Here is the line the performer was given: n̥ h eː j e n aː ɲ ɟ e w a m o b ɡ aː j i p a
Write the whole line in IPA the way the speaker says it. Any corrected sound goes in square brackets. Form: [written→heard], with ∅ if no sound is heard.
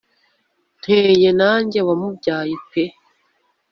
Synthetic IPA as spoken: n̥ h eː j e n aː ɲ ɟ e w a m [o→u] b [ɡ→ɟ] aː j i p [a→e]